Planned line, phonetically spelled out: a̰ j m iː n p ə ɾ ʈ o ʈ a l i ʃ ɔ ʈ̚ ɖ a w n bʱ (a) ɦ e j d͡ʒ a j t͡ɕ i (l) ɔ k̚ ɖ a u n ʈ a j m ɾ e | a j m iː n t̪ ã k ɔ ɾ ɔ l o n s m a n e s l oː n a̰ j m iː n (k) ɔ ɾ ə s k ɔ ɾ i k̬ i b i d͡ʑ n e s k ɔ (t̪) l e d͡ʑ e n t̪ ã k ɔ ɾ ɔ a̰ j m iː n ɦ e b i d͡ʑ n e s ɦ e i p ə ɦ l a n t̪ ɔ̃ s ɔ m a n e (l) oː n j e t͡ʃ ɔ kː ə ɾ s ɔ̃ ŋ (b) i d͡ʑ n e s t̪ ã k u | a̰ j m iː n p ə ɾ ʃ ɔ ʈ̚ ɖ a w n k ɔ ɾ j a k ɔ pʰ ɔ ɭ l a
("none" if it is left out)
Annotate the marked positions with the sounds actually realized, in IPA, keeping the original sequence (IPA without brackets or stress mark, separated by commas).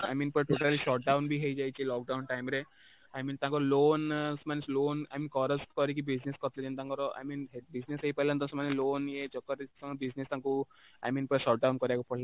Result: i, l, k, t̪, l, b